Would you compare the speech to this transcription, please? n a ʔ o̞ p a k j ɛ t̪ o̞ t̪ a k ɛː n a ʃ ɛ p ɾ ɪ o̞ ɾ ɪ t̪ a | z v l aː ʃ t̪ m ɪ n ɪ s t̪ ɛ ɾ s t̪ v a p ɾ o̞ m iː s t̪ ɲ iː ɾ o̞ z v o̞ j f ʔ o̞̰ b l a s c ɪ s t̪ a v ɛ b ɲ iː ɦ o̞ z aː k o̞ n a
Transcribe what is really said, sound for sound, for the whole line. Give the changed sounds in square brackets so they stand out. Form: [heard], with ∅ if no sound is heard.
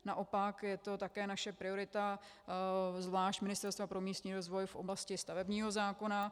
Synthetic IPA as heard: n a ʔ o̞ p a k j ɛ t̪ o̞ t̪ a k ɛː n a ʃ ɛ p ɾ ɪ o̞ ɾ ɪ t̪ a | z v l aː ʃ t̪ m ɪ n ɪ s t̪ ɛ ɾ s t̪ v a p ɾ o̞ m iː s t̪ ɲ iː ɾ o̞ z v o̞ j f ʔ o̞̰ b l a s c ɪ s t̪ a v ɛ b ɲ iː ɦ o̞ z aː k o̞ n a